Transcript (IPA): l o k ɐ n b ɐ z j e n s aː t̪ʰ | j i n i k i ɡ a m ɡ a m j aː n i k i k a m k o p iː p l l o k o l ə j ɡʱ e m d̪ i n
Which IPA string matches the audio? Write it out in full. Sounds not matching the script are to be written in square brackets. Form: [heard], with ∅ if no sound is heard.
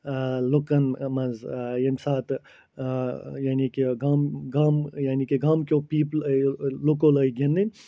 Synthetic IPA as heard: l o k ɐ n [m] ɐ z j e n s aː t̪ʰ | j [a] n i k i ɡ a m ɡ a m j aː n i k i [ɡ] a m k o p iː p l l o k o l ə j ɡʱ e [n] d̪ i n